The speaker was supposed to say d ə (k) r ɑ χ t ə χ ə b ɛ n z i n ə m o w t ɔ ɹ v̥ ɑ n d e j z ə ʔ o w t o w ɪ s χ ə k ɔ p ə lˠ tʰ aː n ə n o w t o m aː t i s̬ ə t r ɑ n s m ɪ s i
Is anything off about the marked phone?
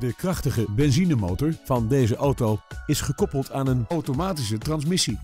no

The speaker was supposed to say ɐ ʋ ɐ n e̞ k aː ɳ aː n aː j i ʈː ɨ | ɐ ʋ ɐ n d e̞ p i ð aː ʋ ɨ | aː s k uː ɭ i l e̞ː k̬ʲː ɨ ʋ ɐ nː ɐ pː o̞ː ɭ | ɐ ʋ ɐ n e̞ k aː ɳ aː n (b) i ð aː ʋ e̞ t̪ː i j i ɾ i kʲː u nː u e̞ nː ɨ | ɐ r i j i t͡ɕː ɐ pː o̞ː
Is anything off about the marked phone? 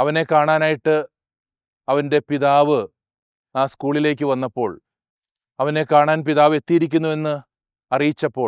yes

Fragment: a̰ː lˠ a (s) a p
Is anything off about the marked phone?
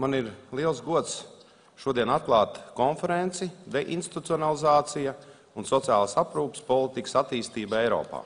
no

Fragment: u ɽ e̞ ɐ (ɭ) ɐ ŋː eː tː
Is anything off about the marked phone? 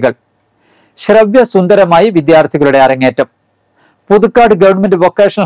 yes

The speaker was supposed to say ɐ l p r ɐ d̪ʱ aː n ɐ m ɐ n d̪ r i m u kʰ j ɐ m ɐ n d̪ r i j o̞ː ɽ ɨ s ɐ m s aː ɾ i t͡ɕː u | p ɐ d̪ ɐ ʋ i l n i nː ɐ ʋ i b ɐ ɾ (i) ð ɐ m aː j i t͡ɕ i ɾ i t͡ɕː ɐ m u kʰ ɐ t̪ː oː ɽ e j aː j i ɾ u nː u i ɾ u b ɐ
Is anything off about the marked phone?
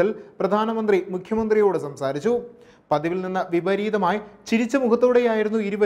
yes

